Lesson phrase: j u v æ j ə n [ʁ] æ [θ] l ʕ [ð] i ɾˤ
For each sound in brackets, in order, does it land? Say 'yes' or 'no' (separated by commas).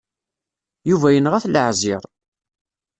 yes, yes, no